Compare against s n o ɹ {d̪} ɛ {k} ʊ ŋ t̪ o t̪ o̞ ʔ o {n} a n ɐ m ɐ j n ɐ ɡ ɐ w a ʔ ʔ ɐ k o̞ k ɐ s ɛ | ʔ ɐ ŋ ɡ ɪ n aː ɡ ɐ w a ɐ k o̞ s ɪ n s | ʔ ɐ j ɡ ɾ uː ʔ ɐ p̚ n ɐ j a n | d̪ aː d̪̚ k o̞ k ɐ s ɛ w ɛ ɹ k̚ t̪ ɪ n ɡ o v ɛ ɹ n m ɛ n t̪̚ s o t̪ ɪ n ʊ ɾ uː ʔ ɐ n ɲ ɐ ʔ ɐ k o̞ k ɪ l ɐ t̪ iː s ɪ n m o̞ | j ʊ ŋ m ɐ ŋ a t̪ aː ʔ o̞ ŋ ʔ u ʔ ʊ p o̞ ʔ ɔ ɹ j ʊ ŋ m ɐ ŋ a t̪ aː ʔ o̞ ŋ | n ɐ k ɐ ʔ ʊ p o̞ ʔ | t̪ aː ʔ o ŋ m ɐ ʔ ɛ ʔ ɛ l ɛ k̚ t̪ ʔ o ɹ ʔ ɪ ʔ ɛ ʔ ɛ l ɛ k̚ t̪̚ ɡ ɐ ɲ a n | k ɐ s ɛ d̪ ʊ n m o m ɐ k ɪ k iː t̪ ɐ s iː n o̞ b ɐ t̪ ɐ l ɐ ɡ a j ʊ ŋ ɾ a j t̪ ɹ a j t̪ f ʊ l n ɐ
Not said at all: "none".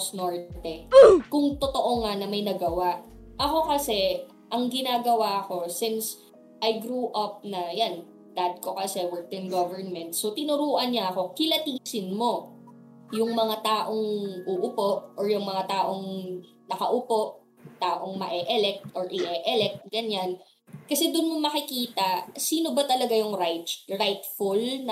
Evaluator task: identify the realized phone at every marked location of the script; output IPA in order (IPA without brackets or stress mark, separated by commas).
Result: t̪, k, ŋ